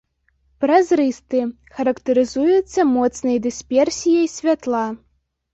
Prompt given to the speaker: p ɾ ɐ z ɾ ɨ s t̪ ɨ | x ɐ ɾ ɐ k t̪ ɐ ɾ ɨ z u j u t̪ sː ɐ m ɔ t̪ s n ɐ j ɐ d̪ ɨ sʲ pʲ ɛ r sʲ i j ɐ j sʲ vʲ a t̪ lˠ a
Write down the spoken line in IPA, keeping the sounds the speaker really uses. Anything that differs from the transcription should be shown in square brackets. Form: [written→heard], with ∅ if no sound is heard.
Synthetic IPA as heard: p ɾ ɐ z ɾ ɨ s t̪ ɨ | x ɐ ɾ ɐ k t̪ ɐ ɾ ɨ z u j u t̪ sː ɐ m ɔ t̪ s n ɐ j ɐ d̪ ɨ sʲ pʲ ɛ r sʲ i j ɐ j sʲ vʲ a t̪ lˠ a